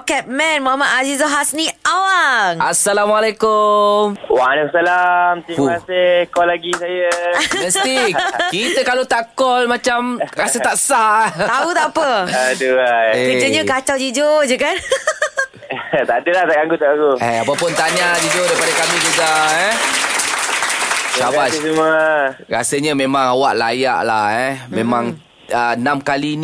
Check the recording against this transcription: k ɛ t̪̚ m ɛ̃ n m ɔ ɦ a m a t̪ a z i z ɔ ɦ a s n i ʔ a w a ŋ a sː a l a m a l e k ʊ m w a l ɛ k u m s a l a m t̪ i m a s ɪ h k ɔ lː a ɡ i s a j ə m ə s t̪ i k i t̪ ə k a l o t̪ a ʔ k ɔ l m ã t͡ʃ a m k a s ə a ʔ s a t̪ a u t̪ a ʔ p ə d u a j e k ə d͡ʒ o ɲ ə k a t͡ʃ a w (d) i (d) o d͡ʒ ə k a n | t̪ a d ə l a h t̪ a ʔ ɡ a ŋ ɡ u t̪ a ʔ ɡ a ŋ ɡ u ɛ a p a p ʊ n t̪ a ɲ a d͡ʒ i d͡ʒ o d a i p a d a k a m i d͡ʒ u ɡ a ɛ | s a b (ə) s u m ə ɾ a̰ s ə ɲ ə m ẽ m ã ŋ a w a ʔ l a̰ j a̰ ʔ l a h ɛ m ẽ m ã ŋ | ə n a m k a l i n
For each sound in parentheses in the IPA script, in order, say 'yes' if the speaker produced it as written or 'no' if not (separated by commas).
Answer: no, no, no